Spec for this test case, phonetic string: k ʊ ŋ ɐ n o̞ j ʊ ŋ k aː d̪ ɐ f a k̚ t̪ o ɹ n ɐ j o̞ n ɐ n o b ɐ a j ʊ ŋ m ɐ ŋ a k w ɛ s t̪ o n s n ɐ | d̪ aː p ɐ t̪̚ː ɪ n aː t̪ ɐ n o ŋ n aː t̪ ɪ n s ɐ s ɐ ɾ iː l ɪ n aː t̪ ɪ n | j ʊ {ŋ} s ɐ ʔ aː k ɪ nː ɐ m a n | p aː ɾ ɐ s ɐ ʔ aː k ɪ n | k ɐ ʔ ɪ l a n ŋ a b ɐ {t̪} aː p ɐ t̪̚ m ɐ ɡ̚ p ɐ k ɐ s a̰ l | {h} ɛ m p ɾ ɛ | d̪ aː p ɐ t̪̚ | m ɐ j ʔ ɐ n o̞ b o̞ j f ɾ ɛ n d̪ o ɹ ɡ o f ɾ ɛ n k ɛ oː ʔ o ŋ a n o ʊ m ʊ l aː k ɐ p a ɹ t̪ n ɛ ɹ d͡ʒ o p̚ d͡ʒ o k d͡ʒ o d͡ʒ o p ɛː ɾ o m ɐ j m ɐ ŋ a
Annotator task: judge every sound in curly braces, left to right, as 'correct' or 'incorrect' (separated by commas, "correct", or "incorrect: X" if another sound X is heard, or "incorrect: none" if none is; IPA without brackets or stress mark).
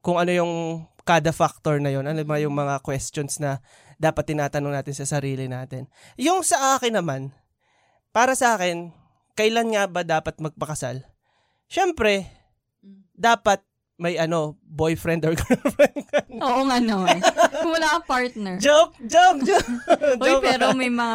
correct, incorrect: d̪, incorrect: ʃ